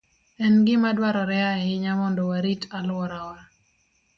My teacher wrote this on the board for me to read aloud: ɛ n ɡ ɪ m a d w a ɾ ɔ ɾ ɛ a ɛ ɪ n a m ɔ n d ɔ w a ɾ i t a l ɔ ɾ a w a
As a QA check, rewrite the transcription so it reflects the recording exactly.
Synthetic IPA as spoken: ɛ n ɡ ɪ m a d w a ɾ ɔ ɾ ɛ a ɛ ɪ ɲ a m ɔ n d ɔ w a ɾ i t a l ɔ ɾ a w a

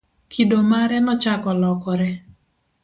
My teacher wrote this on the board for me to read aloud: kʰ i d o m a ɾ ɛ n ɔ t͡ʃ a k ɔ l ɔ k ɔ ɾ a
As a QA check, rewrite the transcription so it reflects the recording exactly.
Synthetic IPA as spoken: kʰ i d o m a ɾ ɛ n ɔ t͡ʃ a k ɔ l ɔ k ɔ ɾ ɛ

